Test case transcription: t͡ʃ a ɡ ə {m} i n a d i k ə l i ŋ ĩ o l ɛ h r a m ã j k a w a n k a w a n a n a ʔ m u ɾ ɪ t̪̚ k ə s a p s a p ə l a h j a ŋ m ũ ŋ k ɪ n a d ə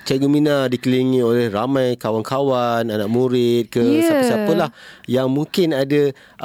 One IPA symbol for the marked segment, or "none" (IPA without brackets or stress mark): m